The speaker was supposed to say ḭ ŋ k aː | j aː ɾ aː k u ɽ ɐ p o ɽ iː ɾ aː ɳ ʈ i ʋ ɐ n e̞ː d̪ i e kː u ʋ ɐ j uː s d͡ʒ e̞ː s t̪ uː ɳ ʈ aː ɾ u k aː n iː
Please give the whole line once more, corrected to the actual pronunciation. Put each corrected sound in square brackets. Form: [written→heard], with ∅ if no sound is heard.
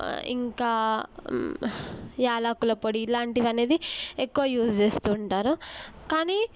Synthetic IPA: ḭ ŋ k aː | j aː [ɾ→l] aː k u [ɽ→l] ɐ p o ɽ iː [ɾ→l] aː ɳ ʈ i ʋ ɐ n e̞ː d̪ i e kː u ʋ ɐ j uː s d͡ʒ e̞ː s t̪ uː ɳ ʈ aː ɾ u k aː n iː